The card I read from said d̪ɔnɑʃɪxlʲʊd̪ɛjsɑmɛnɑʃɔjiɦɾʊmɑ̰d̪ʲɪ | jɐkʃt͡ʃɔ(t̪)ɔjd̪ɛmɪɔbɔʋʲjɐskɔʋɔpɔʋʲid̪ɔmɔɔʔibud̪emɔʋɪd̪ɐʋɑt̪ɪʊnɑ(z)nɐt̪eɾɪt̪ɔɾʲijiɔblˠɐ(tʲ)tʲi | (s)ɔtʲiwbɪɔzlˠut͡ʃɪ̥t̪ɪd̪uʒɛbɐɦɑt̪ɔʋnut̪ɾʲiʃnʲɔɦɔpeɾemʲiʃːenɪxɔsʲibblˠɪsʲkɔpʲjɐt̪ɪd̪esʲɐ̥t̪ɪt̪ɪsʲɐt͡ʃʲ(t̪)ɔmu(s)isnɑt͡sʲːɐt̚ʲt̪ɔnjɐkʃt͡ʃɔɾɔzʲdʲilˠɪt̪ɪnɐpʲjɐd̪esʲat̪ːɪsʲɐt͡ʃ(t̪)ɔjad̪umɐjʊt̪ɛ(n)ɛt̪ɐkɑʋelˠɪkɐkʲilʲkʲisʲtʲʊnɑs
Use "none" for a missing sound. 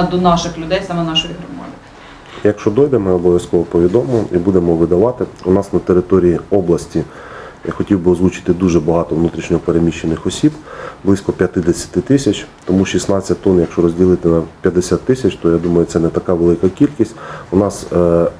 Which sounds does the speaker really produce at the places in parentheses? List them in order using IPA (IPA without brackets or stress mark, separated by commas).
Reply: d̪, s, sʲ, x, t̪, ʃ, t̪, n